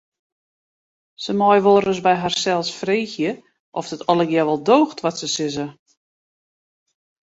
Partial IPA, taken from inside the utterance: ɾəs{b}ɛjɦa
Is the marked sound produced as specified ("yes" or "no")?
yes